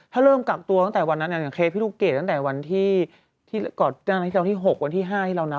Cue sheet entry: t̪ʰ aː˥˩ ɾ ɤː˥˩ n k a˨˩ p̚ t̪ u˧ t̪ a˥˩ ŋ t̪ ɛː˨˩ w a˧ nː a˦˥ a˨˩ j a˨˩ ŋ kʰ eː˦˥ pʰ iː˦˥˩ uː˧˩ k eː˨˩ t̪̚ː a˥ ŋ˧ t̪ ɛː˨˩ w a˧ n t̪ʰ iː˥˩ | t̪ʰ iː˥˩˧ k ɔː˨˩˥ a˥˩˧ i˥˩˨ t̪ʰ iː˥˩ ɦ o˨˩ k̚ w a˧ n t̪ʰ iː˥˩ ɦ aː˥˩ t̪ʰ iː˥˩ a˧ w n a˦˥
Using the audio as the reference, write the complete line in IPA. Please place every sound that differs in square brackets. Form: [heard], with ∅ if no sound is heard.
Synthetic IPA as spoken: t̪ʰ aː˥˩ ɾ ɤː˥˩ [m] k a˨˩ [k̚] t̪ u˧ t̪ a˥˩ ŋ t̪ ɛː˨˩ w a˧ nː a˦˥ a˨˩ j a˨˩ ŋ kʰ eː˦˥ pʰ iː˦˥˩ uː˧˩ k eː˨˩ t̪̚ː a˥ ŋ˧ t̪ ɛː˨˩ w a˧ n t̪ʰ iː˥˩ | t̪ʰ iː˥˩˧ k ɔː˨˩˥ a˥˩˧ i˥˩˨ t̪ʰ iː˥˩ ɦ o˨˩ k̚ w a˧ n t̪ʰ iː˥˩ ɦ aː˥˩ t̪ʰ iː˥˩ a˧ w n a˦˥